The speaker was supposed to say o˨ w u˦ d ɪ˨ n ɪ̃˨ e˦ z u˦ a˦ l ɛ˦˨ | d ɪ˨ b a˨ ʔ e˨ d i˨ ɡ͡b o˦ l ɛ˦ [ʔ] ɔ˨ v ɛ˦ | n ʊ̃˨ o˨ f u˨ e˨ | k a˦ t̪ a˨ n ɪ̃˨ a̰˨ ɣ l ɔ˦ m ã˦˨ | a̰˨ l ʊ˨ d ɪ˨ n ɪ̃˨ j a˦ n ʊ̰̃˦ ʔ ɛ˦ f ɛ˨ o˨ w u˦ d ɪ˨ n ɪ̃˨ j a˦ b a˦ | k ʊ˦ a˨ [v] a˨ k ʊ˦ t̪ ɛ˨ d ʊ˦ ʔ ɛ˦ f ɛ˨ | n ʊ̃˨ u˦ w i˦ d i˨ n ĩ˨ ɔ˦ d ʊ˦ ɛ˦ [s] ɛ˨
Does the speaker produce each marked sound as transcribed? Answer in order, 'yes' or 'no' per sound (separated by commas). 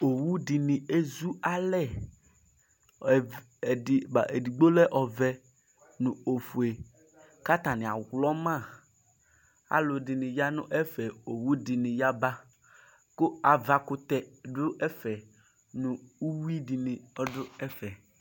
yes, yes, no